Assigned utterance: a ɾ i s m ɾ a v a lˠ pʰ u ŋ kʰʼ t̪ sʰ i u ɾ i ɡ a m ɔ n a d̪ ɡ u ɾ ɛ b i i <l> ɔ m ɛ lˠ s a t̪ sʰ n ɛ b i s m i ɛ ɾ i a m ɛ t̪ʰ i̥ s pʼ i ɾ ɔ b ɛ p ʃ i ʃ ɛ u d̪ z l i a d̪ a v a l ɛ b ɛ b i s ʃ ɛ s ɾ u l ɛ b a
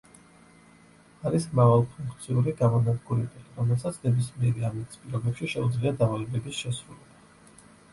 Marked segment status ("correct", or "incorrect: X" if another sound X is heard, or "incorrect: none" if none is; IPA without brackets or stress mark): incorrect: ɾ